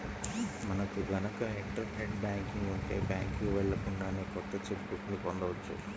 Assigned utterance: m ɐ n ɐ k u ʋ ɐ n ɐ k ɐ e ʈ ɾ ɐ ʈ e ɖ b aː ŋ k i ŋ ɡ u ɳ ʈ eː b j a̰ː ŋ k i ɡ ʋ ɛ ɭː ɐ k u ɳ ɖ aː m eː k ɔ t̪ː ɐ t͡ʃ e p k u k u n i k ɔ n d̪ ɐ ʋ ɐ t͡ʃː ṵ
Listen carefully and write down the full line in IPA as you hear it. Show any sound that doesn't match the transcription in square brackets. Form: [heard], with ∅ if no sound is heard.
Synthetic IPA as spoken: m ɐ n ɐ k u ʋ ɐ n ɐ k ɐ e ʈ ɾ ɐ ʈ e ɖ b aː ŋ k i ŋ ɡ u ɳ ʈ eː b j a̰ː ŋ k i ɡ ʋ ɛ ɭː ɐ k u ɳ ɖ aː [n] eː k ɔ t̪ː ɐ t͡ʃ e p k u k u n i [p] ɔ n d̪ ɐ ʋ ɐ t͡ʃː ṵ